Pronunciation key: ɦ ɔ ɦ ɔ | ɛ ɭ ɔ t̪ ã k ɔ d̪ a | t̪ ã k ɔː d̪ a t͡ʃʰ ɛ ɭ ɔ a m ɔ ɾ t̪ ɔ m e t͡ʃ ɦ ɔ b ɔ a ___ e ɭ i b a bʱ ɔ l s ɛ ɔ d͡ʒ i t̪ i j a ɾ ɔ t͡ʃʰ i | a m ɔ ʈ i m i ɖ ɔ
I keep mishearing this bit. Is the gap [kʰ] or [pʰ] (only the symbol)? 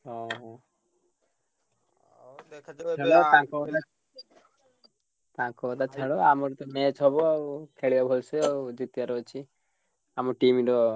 kʰ